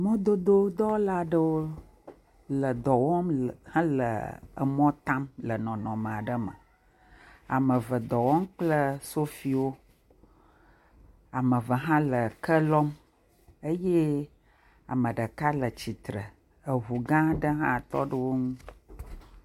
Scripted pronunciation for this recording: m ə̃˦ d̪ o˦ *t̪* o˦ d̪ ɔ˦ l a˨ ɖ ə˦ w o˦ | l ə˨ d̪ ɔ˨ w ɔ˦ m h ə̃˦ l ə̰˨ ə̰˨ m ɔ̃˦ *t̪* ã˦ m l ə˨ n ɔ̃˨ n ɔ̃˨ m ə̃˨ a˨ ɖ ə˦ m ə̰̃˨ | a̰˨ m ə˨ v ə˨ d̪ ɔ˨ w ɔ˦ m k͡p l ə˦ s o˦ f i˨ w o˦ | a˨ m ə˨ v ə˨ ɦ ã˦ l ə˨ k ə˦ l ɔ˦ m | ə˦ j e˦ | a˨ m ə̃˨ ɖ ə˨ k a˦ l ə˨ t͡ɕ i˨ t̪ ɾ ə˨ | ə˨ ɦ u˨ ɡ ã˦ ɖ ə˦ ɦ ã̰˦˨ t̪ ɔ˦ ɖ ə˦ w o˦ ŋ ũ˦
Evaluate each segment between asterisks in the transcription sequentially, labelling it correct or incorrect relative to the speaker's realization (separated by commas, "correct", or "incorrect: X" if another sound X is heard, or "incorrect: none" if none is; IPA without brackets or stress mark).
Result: incorrect: d̪, correct